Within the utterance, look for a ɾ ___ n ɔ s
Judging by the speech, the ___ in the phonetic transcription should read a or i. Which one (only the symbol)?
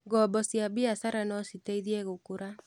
a